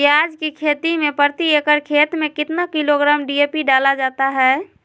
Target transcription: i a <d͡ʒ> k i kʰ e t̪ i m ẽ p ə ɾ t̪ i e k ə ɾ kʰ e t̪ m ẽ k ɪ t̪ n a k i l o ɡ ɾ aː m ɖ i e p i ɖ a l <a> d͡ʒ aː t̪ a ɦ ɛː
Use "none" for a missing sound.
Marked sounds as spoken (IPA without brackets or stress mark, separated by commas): d͡ʒ, a